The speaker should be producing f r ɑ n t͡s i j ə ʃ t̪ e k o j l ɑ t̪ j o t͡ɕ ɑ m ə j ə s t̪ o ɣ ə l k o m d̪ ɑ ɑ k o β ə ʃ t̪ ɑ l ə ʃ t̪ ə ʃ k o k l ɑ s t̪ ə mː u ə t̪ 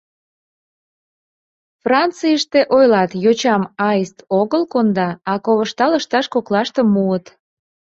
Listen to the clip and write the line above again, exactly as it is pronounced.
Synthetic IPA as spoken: f r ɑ n t͡s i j ə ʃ t̪ e ʔ o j l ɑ t̪ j o t͡ɕ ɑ m ɑ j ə s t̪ o ɣ ə l k o n d̪ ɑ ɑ k o β ə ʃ t̪ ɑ l ə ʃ t̪ ɑ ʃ k o k l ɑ ʃ t̪ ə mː u ə t̪